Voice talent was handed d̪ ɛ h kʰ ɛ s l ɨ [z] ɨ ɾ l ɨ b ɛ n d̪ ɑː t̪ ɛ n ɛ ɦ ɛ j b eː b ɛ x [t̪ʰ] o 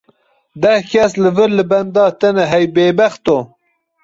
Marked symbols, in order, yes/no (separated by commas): no, no